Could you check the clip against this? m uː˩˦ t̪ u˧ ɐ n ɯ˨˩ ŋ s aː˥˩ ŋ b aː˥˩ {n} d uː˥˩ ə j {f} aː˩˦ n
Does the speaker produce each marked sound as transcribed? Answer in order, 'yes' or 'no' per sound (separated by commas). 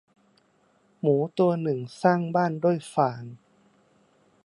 yes, yes